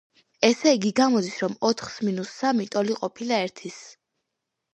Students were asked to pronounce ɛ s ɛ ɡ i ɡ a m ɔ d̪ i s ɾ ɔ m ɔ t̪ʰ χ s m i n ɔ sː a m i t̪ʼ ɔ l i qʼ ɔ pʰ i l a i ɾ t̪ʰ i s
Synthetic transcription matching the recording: ɛ s ɛ ɡ i ɡ a m ɔ d̪ i s ɾ ɔ m ɔ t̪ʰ χ s m i n u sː a m i t̪ʼ ɔ l i qʼ ɔ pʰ i l a ɛ ɾ t̪ʰ i s